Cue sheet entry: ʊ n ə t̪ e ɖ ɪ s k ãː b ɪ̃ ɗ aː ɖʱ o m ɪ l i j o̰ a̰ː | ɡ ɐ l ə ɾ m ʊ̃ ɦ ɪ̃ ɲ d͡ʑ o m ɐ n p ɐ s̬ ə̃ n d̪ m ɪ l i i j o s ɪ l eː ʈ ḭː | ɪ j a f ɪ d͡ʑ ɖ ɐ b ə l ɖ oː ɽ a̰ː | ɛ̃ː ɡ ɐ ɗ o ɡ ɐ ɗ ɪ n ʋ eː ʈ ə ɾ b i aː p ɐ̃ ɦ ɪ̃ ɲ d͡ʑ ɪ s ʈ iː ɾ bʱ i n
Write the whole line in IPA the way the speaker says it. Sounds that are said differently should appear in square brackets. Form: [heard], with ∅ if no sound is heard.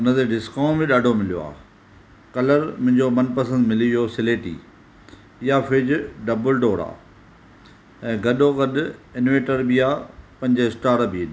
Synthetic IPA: ʊ n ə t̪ e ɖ ɪ s k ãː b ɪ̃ ɗ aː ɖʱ o m ɪ l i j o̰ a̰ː | [k] ɐ l ə ɾ m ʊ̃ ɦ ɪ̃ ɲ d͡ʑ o m ɐ n p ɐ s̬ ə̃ n d̪ m ɪ l i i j o s ɪ l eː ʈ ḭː | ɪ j a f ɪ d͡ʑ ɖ ɐ b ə l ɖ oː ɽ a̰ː | ɛ̃ː ɡ ɐ ɗ o ɡ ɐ ɗ ɪ n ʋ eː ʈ ə ɾ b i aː p ɐ̃ ɦ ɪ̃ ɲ d͡ʑ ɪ s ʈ [aː] ɾ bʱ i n